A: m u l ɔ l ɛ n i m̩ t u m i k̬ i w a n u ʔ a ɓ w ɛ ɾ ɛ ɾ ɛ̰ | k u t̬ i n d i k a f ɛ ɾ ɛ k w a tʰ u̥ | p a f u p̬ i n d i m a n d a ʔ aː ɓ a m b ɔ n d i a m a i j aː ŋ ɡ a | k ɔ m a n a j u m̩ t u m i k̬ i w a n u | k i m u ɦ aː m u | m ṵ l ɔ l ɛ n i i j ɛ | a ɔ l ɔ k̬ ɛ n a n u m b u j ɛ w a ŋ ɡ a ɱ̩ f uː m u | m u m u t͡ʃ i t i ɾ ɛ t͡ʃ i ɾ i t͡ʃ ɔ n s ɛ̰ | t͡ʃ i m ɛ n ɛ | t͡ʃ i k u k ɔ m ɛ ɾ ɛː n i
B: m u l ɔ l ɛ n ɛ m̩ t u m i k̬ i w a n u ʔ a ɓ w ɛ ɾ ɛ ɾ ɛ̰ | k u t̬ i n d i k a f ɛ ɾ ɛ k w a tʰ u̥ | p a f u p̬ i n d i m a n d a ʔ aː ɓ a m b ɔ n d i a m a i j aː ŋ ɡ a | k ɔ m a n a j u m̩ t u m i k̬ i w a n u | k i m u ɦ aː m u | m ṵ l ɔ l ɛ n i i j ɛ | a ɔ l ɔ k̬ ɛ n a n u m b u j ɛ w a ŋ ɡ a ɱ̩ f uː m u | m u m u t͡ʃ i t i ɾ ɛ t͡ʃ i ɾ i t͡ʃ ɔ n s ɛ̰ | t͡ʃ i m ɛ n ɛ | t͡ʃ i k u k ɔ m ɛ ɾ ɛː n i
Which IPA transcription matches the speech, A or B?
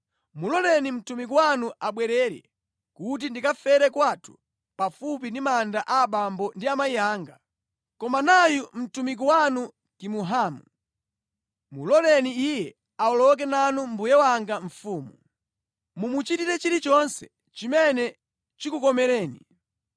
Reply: A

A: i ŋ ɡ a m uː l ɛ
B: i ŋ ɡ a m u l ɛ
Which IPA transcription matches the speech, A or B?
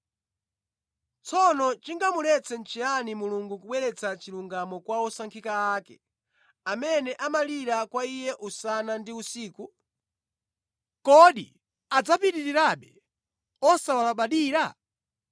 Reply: B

